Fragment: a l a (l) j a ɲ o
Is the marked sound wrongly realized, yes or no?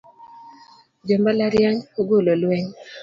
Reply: yes